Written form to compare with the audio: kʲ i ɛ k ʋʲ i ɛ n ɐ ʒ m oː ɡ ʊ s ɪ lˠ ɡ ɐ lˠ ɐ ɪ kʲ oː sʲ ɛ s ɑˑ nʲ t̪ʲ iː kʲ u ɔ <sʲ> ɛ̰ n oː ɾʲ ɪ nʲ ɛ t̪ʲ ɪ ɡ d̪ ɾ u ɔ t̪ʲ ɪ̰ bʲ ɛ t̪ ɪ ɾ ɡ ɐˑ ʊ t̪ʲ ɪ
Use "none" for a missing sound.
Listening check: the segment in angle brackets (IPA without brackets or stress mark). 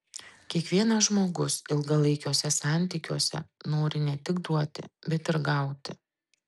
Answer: sʲ